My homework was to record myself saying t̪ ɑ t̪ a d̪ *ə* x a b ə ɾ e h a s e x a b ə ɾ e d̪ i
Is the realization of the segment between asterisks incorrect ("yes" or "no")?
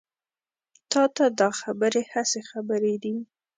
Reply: yes